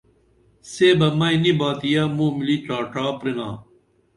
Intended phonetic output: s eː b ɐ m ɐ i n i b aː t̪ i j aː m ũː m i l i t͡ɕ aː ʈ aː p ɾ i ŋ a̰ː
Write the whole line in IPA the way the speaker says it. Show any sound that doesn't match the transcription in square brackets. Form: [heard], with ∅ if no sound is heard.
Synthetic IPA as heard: s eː b ɐ m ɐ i n i b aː t̪ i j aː m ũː m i l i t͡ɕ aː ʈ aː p ɾ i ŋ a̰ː